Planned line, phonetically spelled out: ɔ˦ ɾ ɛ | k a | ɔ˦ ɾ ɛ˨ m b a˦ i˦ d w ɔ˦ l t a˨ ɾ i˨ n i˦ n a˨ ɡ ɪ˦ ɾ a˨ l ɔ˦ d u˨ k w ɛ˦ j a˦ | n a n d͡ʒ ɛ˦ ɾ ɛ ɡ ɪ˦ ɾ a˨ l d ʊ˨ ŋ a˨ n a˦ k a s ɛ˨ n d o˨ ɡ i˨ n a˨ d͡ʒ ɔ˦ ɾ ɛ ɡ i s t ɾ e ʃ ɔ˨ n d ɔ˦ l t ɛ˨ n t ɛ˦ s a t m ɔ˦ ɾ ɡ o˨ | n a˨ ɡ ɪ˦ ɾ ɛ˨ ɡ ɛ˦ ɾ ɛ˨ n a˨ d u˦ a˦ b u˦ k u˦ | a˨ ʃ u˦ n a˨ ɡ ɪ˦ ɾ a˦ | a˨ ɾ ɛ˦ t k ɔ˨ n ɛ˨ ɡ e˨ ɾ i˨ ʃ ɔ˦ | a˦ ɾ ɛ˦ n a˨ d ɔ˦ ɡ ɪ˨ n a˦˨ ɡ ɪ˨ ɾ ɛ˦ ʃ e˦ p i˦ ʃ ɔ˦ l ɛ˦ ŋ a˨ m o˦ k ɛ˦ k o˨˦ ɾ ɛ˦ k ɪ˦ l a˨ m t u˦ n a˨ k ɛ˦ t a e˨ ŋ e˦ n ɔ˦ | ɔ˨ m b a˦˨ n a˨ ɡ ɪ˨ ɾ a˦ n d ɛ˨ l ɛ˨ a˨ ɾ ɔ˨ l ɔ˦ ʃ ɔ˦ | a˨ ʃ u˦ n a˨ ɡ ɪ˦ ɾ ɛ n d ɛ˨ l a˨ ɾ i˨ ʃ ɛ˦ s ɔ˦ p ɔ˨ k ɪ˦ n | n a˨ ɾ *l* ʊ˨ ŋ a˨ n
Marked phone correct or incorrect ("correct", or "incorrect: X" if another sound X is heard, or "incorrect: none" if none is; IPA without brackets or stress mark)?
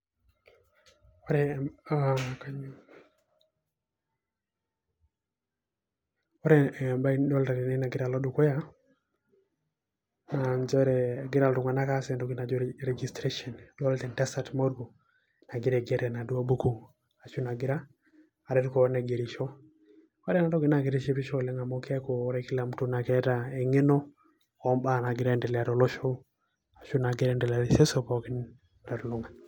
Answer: correct